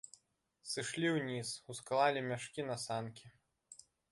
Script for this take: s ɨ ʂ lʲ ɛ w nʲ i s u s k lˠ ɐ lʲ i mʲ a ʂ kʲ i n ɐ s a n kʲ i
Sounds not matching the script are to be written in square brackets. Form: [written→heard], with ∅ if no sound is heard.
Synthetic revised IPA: s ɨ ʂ lʲ [ɛ→i] w nʲ i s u s k lˠ [ɐ→a] lʲ i mʲ a ʂ kʲ i n ɐ s a n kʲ i